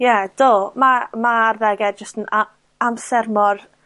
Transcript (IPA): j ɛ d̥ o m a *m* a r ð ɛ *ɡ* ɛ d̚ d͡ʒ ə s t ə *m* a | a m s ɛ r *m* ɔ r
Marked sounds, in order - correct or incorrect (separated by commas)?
correct, correct, incorrect, correct